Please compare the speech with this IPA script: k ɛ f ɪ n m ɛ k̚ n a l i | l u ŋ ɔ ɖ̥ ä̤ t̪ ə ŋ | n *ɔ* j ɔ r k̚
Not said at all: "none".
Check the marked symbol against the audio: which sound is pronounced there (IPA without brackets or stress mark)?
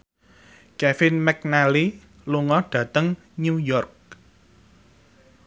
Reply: u